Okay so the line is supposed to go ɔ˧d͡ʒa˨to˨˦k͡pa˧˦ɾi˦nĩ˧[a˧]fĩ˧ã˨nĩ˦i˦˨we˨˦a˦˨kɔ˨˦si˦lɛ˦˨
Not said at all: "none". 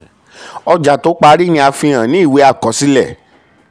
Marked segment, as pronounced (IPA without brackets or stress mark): a˧